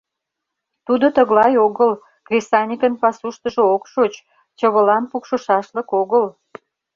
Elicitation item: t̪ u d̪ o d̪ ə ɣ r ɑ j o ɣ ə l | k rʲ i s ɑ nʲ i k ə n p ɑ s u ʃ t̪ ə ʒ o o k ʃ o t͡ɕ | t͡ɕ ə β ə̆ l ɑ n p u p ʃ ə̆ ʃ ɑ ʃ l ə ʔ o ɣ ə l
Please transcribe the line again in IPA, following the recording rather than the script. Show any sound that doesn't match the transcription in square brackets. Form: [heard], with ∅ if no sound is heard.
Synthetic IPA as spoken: t̪ u d̪ o [t̪] ə ɣ [l] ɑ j o ɣ ə l | k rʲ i s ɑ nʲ i k ə n p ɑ s u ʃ t̪ ə ʒ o o k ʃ o t͡ɕ | t͡ɕ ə β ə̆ l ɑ n p u [k] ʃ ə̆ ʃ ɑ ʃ l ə [k] o ɣ ə l